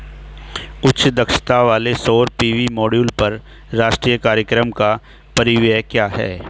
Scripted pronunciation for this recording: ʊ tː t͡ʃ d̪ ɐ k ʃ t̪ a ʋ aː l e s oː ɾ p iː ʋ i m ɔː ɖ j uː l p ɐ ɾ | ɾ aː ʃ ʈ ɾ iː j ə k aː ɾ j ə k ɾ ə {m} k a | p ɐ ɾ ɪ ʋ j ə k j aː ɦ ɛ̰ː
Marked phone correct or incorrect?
correct